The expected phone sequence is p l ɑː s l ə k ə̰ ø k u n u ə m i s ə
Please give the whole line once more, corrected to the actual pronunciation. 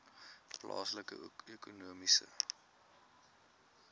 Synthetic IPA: p l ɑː s l ə k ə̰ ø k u n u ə m i s ə